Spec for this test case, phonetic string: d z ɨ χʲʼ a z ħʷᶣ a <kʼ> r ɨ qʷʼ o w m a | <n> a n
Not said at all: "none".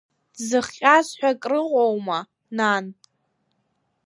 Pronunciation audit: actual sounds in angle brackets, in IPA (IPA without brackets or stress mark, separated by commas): kʼ, n